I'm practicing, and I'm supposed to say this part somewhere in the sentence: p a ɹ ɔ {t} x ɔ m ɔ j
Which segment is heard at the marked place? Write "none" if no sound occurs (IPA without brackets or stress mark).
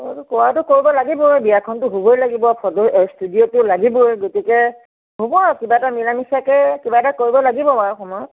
none